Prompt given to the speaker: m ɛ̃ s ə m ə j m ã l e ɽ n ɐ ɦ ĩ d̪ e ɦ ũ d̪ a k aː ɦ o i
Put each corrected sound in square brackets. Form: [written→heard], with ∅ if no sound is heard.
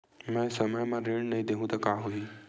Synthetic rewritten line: m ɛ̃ s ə m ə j m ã [l→ɾ] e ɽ n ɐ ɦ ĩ d̪ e ɦ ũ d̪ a k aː ɦ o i